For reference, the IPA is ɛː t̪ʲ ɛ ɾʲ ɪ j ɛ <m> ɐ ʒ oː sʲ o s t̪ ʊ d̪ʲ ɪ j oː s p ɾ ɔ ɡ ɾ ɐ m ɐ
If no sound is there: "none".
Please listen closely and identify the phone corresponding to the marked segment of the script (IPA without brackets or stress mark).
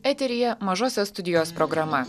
m